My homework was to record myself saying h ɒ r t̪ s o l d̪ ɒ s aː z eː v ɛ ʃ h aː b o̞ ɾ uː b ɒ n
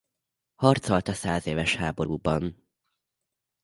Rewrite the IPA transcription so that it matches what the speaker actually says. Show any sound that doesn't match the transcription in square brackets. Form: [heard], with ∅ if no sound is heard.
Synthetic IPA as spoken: h ɒ r t̪ s o l [t̪] ɒ s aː z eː v ɛ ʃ h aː b o̞ ɾ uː b ɒ n